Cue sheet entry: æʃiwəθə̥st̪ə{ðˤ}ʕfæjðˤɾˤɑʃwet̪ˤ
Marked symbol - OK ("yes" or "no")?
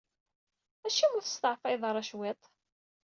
no